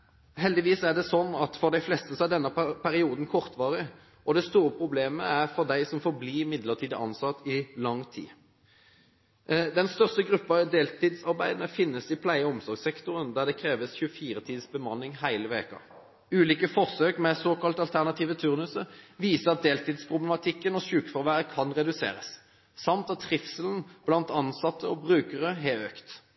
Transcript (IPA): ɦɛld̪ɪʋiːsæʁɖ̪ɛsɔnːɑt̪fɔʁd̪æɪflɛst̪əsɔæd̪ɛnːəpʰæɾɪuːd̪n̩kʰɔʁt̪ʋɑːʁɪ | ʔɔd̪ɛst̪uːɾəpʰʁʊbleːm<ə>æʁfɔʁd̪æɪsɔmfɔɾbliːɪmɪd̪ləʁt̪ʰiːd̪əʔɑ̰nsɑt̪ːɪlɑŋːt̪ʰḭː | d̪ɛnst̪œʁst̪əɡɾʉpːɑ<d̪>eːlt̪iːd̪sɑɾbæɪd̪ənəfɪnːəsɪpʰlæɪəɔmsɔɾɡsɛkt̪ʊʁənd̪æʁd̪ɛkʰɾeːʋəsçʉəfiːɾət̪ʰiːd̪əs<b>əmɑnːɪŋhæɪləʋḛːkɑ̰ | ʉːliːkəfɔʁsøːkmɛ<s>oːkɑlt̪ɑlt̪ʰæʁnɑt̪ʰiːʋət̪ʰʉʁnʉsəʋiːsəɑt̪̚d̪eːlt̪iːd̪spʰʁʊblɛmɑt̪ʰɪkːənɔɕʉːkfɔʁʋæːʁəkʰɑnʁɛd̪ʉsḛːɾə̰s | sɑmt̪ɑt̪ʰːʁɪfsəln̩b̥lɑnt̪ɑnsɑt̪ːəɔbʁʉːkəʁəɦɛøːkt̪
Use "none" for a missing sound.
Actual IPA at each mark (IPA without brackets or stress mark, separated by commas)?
ə, d̪, b, s